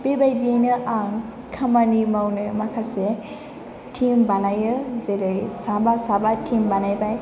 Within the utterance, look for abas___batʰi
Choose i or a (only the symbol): a